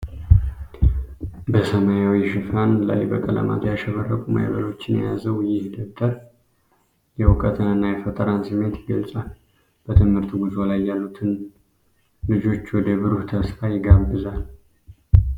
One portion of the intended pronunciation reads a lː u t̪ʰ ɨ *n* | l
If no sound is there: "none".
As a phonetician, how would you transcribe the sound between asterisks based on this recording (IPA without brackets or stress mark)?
n